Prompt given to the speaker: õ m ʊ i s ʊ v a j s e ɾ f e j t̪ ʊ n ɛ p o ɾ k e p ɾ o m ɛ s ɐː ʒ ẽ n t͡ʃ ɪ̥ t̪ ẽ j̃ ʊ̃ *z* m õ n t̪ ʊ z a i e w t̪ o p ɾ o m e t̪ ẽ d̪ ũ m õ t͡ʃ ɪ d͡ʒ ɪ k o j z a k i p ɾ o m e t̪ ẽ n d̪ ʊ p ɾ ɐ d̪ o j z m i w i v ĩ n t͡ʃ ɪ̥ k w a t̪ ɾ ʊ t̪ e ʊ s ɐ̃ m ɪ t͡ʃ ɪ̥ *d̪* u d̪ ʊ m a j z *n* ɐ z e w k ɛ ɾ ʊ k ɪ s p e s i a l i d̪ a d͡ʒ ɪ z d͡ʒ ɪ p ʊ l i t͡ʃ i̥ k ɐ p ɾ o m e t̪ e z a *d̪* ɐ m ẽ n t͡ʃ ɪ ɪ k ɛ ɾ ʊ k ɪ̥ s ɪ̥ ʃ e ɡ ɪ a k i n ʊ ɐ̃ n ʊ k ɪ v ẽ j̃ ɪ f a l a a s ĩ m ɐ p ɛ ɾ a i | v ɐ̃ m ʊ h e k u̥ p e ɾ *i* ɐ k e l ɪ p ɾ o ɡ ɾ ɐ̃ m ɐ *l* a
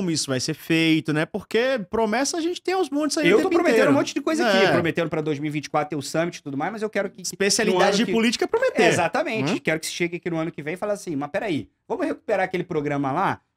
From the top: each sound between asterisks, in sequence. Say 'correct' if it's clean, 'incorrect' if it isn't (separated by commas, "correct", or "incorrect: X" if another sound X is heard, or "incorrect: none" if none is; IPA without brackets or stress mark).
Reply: correct, incorrect: t̪, incorrect: m, incorrect: t̪, incorrect: a, correct